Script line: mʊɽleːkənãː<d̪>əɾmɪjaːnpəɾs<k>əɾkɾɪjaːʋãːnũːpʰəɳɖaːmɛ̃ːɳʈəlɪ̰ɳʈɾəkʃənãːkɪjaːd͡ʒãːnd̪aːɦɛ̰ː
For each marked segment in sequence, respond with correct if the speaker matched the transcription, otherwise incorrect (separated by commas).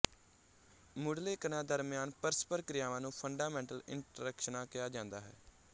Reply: correct, incorrect